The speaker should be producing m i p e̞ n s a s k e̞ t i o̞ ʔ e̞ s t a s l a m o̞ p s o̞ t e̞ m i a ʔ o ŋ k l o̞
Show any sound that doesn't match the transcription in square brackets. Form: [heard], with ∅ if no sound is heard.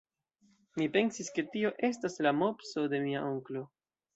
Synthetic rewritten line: m i p e̞ n s [i] s k e̞ t i o̞ ʔ e̞ s t a s l a m o̞ p s o̞ [d] e̞ m i a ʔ o ŋ k l o̞